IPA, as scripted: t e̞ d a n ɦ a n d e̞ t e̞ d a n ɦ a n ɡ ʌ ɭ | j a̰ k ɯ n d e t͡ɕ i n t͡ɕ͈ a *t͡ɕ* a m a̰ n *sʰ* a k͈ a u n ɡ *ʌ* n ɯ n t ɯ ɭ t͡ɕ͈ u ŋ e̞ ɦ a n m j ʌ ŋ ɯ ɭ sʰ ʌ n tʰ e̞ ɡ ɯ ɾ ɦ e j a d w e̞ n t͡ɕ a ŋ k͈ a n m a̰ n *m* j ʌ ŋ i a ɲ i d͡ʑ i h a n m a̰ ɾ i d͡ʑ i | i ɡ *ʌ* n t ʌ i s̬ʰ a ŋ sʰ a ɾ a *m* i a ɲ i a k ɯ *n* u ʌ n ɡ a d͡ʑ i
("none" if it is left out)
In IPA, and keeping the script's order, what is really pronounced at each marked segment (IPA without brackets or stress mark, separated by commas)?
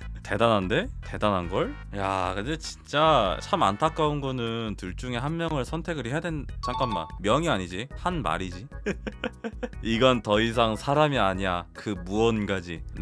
t͡ɕʰ, tʰ, ʌ, m, ʌ, m, m